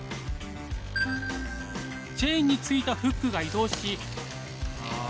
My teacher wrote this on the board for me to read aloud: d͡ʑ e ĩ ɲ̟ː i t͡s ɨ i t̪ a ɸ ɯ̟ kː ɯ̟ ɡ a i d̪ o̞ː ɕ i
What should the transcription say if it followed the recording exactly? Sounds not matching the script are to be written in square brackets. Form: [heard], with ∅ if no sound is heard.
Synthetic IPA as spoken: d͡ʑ e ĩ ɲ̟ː i t͡s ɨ i t̪ a ɸ ɯ̟ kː ɯ̟ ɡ a i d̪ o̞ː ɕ i